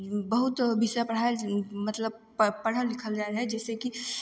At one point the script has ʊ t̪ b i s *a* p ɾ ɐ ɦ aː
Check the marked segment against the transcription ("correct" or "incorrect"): correct